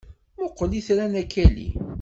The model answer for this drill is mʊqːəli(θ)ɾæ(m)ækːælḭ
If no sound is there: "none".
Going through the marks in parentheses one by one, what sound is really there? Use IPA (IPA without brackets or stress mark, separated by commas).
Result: θ, n